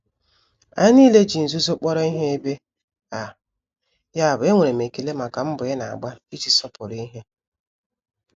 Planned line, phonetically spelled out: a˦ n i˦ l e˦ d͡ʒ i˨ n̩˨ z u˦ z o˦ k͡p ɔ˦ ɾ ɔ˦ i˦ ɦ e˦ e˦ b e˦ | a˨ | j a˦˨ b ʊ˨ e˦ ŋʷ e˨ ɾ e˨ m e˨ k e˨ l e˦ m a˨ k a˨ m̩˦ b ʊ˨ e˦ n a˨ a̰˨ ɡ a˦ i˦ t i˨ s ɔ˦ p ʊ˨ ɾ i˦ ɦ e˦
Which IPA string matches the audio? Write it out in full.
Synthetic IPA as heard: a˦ n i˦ l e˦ d͡ʒ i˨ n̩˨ z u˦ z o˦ k͡p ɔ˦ ɾ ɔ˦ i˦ ɦ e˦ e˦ b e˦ | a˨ | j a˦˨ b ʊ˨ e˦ ŋʷ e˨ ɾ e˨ m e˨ k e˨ l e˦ m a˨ k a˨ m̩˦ b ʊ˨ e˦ n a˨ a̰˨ ɡ͡b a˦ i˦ t͡ʃ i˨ s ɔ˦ p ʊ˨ ɾ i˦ ɦ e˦